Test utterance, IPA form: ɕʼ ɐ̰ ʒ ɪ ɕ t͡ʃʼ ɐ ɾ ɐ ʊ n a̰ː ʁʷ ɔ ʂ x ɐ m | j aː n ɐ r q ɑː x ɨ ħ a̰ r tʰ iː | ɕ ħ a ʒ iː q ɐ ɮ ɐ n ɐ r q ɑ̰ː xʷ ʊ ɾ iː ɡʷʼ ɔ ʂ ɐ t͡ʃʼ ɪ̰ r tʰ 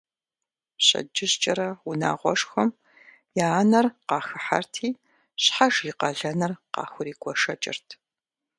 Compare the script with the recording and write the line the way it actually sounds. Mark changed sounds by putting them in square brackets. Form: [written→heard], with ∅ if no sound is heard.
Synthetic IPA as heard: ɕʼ ɐ̰ [ʒ→d͡ʒ] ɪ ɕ t͡ʃʼ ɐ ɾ ɐ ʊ n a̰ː ʁʷ ɔ ʂ x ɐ m | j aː n ɐ r q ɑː x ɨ ħ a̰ r tʰ iː | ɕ ħ a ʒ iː q ɐ ɮ ɐ n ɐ r q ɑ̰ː xʷ ʊ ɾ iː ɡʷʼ ɔ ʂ ɐ t͡ʃʼ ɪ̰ r tʰ